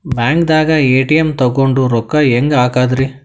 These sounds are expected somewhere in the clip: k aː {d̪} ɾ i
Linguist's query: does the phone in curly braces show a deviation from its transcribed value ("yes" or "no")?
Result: no